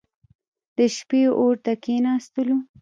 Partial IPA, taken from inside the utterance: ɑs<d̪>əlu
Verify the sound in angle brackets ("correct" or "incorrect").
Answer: incorrect